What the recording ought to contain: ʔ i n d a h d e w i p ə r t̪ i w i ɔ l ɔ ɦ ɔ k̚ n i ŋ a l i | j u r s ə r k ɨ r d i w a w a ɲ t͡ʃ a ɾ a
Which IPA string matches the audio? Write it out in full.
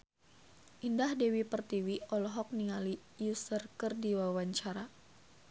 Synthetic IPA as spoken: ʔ i n d a h d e w i p ə r t̪ i w i ɔ l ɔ ɦ ɔ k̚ n i ŋ a l i | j u s ə r k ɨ r d i w a w a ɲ t͡ʃ a ɾ a